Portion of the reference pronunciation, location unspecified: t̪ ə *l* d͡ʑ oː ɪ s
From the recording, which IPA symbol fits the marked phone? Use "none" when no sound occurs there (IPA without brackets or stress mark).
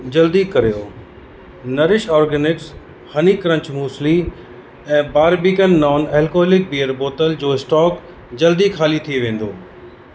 l